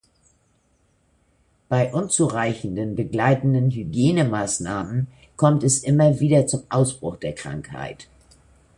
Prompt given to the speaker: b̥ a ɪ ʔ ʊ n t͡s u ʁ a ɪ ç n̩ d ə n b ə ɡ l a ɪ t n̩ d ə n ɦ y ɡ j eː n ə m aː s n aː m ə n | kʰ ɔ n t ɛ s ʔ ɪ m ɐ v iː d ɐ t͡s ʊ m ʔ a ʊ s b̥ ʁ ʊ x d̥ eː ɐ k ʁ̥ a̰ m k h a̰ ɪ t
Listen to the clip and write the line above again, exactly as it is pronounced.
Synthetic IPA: b̥ a ɪ ʔ ʊ n t͡s u ʁ a ɪ ç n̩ d ə n b ə ɡ l a ɪ t n̩ d ə n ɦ y ɡ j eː n ə m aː s n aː m ə n | kʰ ɔ m t ɛ s ʔ ɪ m ɐ v iː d ɐ t͡s ʊ m ʔ a ʊ s b̥ ʁ ʊ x d̥ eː ɐ k ʁ̥ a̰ ŋ k h a̰ ɪ t